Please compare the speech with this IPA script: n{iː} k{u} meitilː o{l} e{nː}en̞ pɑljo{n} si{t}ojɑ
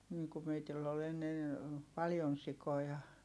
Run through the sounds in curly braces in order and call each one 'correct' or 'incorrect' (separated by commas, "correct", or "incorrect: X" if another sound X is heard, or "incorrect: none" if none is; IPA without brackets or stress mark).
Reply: correct, correct, correct, correct, correct, incorrect: k